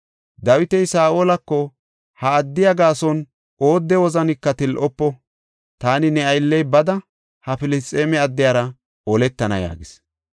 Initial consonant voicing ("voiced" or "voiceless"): voiced